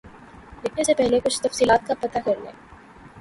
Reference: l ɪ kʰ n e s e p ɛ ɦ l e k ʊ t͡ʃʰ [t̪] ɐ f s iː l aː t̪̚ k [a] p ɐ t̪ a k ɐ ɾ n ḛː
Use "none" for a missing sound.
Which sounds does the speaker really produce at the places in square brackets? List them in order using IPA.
t̪, a

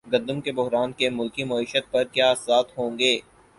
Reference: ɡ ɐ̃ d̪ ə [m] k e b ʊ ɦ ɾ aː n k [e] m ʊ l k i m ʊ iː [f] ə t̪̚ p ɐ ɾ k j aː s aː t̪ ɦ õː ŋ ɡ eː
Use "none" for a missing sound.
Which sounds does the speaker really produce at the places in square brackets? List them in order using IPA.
m, e, ʃ

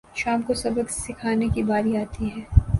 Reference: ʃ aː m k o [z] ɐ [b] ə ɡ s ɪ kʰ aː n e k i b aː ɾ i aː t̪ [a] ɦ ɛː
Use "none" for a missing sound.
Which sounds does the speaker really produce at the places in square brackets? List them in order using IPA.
s, b, i

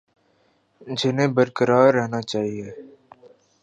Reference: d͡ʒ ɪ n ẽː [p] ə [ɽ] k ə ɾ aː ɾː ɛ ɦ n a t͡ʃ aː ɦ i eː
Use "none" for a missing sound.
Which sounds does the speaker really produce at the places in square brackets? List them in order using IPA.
b, ɾ

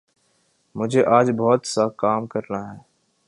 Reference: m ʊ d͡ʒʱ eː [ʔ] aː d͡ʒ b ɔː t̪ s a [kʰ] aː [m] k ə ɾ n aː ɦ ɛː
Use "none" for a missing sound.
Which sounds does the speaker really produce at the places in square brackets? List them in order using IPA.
ʔ, k, m

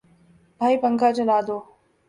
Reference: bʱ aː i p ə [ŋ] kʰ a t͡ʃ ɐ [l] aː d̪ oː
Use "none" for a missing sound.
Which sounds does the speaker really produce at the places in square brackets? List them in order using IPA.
ŋ, l

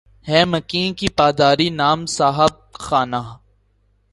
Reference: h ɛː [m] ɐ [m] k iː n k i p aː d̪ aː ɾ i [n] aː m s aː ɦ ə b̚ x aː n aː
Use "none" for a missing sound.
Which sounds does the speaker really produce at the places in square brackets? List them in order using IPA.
m, none, n

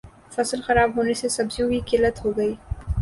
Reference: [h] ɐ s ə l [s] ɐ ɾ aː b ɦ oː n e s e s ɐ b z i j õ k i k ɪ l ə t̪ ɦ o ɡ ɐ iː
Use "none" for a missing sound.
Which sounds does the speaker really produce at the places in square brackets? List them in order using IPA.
f, x

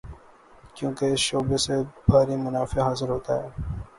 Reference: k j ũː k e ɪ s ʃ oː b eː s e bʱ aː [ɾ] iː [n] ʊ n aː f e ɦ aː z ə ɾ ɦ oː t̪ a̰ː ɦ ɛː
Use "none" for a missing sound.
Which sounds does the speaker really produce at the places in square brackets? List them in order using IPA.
ɾ, m

